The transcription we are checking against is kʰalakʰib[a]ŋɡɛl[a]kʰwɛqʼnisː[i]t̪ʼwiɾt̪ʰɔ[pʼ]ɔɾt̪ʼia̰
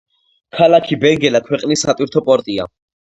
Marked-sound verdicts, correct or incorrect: incorrect: ɛ, correct, incorrect: a, correct

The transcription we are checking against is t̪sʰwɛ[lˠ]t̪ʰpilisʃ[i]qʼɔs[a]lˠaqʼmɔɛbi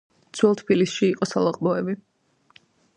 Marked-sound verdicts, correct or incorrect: correct, incorrect: iː, correct

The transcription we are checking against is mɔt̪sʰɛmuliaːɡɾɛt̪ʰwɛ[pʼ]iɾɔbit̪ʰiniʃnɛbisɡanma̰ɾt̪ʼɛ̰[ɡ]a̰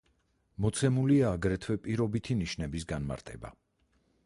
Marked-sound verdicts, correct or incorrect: correct, incorrect: b

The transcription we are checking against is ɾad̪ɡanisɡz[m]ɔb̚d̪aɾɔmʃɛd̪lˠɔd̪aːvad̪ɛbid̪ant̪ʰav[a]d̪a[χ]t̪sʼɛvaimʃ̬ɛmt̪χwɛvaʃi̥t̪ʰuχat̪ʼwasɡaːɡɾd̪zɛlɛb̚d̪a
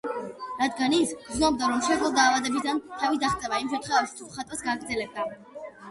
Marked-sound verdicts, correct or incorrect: incorrect: n, incorrect: i, correct

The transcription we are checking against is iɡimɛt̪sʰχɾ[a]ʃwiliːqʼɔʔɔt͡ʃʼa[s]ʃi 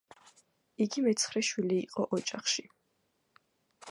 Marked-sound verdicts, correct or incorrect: incorrect: ɛ, incorrect: χ

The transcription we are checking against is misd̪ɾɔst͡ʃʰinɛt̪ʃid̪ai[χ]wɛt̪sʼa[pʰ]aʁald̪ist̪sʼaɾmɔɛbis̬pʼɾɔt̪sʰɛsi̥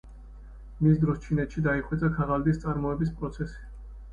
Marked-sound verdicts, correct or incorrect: correct, incorrect: kʰ

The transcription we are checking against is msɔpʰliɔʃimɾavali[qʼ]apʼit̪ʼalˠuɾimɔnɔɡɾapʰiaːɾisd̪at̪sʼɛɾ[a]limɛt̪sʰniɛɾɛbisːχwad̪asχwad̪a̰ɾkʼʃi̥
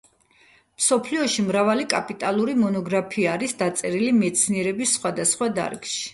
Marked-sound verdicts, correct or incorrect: incorrect: kʼ, incorrect: i

